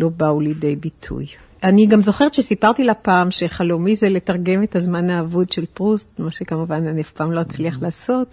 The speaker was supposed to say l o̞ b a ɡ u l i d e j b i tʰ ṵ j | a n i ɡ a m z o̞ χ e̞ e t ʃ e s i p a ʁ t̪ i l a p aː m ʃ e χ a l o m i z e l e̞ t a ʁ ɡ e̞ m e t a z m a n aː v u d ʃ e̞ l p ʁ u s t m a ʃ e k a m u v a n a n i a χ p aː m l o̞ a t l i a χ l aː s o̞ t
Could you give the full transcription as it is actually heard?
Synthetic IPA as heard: l o̞ b a u l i d e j b i tʰ ṵ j | a n i ɡ a m z o̞ χ e̞ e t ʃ e s i p a ʁ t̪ i l a p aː m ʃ e χ a l o m i z e l e̞ t a ʁ ɡ e̞ m e t a z m a n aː v u d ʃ e̞ l p ʁ u s t m a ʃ e k a m u v a n a n i a f p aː m l o̞ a t͡s l i a χ l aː s o̞ t